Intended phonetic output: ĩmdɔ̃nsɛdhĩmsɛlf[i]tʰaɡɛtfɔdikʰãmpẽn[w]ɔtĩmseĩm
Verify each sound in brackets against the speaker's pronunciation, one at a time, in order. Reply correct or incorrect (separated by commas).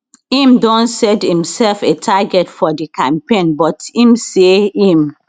incorrect, incorrect